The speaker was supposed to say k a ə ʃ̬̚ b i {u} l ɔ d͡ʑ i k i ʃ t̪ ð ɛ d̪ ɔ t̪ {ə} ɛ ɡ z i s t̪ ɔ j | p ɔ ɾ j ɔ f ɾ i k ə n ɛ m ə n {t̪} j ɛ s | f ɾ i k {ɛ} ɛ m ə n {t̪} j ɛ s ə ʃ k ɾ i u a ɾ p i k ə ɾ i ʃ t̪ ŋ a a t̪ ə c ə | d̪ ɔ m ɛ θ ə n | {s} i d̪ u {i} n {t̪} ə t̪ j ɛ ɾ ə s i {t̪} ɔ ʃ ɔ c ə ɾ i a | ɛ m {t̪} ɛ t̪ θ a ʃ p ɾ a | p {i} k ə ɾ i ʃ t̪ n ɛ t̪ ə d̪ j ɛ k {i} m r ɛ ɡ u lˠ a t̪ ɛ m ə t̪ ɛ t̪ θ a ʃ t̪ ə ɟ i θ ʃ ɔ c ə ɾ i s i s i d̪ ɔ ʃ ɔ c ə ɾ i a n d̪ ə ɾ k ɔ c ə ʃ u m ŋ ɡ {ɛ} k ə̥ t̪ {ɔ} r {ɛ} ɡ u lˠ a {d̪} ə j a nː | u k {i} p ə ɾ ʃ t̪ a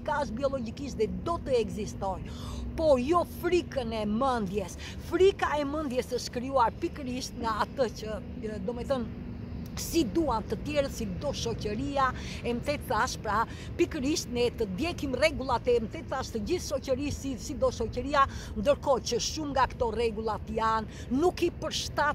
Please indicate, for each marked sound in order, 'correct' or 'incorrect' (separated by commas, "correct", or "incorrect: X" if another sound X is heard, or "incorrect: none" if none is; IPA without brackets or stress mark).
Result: incorrect: ɔ, correct, incorrect: d̪, incorrect: a, incorrect: d̪, correct, incorrect: a, correct, incorrect: d̪, correct, correct, correct, incorrect: a, correct, correct, incorrect: t̪, correct